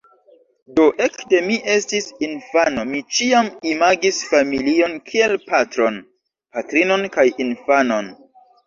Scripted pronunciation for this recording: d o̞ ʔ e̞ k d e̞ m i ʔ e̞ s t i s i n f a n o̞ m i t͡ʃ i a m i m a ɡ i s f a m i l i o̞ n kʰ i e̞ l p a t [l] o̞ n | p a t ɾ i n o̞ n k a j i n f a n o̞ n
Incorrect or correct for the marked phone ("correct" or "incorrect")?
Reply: incorrect